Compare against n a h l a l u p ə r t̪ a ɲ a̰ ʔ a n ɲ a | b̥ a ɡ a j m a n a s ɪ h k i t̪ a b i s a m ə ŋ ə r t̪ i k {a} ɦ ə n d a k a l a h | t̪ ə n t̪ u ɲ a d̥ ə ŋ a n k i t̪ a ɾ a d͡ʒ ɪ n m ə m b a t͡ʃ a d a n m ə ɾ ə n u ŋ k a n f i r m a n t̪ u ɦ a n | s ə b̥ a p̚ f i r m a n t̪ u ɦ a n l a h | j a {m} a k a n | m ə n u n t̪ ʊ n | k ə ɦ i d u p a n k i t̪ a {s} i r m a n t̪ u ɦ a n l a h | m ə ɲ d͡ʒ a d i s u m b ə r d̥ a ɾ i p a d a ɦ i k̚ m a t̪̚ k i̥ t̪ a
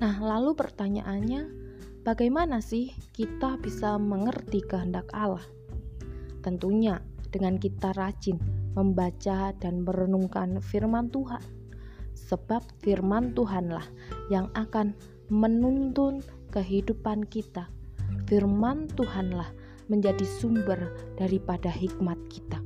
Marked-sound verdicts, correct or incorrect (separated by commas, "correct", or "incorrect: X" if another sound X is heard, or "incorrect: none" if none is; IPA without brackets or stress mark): incorrect: ə, incorrect: ŋ, incorrect: f